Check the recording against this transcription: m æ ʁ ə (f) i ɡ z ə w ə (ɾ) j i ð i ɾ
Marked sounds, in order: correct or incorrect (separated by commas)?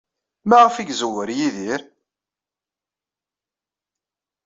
correct, correct